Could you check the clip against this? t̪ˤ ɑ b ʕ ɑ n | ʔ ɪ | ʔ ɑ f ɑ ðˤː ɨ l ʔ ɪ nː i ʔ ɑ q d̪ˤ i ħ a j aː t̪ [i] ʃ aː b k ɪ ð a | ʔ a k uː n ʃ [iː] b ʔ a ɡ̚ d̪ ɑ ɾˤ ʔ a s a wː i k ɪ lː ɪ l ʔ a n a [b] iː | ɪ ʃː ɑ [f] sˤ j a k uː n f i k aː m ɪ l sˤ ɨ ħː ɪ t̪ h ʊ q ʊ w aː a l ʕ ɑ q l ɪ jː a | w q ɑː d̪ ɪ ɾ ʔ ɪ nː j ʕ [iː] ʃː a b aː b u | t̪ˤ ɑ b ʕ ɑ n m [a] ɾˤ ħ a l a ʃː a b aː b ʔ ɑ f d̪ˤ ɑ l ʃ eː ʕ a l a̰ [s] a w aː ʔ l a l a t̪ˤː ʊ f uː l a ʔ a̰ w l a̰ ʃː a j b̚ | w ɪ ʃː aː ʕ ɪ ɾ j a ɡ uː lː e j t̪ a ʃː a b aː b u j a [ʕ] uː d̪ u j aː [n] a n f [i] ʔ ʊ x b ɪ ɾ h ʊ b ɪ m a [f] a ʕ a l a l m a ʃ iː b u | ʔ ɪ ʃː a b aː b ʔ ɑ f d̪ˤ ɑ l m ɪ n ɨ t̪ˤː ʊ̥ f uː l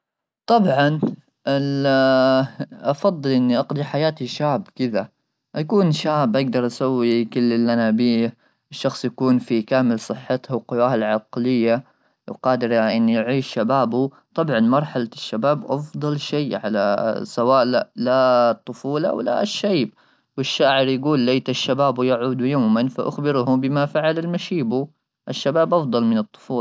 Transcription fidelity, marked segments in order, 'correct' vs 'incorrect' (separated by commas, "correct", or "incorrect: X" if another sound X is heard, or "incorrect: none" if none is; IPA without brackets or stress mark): correct, incorrect: aː, correct, incorrect: x, correct, incorrect: ɑ, correct, correct, incorrect: m, incorrect: a, correct